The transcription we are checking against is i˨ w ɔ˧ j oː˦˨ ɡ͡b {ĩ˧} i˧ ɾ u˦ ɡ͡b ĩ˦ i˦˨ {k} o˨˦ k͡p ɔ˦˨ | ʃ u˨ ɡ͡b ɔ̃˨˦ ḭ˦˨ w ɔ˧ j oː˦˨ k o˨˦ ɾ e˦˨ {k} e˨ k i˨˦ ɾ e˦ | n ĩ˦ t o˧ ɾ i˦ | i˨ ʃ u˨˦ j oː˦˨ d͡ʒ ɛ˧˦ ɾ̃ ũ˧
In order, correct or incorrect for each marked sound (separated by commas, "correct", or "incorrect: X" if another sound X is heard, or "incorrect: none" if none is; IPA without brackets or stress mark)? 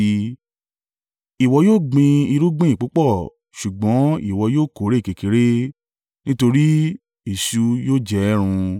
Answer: correct, incorrect: k͡p, correct